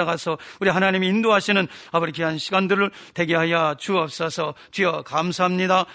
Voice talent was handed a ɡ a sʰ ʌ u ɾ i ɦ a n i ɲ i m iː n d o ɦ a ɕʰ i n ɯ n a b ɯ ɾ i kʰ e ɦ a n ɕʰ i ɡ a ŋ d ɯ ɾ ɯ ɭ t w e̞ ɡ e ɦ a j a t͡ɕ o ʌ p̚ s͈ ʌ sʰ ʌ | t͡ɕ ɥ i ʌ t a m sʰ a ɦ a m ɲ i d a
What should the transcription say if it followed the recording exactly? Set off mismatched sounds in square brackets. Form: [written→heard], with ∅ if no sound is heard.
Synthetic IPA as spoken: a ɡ a sʰ ʌ u ɾ i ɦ a n [i→a] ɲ i m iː n d o ɦ a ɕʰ i n ɯ n a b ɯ ɾ i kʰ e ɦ a n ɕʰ i ɡ a [ŋ→n] d ɯ ɾ ɯ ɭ t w e̞ ɡ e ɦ a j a t͡ɕ [o→u] ʌ p̚ s͈ ʌ sʰ ʌ | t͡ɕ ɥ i ʌ [t→k] a m sʰ a ɦ a m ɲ i d a